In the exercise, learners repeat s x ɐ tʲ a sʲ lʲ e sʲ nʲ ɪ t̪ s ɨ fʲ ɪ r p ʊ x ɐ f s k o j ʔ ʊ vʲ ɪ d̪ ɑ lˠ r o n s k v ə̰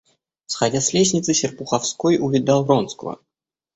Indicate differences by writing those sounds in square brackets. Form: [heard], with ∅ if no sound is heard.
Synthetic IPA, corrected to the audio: s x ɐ [dʲ] a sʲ lʲ e sʲ nʲ ɪ t̪ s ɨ [sʲ] ɪ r p ʊ x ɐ f s k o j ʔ ʊ vʲ ɪ d̪ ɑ lˠ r o n s k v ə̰